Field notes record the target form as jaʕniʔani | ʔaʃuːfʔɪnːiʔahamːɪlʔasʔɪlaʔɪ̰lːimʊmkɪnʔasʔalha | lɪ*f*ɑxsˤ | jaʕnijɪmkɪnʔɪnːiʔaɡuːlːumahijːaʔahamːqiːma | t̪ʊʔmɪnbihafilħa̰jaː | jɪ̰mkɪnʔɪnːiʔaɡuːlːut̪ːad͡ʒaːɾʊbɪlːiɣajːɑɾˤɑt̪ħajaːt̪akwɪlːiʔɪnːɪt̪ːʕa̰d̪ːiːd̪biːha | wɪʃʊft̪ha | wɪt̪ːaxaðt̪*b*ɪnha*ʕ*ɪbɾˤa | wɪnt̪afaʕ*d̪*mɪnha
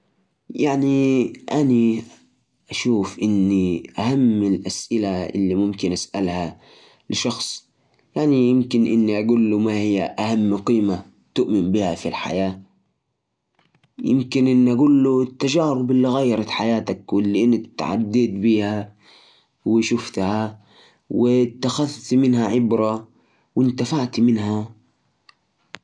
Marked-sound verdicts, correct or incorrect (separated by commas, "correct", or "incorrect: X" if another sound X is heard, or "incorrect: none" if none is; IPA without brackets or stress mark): incorrect: ʃ, incorrect: m, correct, incorrect: t̪